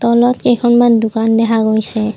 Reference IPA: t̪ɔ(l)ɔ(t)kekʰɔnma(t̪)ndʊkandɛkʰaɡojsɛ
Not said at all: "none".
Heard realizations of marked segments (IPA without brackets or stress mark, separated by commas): l, t, none